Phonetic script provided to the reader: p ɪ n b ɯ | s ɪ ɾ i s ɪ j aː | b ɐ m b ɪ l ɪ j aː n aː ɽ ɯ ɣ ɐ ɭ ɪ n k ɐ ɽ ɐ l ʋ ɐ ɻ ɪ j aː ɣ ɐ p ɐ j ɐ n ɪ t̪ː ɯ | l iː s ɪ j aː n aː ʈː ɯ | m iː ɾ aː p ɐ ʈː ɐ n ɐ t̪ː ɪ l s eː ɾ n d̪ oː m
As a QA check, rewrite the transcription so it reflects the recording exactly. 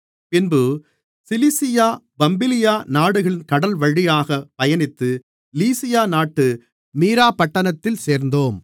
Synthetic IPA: p ɪ n b ɯ | s ɪ l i s ɪ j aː | b ɐ m b ɪ l ɪ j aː n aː ɽ ɯ ɣ ɐ ɭ ɪ n k ɐ ɽ ɐ l ʋ ɐ ɻ ɪ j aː ɣ ɐ p ɐ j ɐ n ɪ t̪ː ɯ | l iː s ɪ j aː n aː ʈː ɯ | m iː ɾ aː p ɐ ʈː ɐ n ɐ t̪ː ɪ l s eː ɾ n d̪ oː m